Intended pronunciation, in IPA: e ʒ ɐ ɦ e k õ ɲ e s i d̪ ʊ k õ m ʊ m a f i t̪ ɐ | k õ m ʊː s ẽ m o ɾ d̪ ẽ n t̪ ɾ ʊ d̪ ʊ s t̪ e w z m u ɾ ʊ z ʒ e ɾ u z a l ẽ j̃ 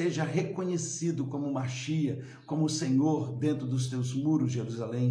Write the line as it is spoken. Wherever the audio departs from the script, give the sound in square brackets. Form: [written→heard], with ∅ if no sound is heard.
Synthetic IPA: e ʒ ɐ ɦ e k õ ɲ e s i d̪ ʊ k õ m ʊ m a [f→ʃ] i [t̪→∅] ɐ | k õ m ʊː s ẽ [m→ɲ] o ɾ d̪ ẽ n t̪ ɾ ʊ d̪ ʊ s t̪ e w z m u ɾ ʊ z ʒ e ɾ u z a l ẽ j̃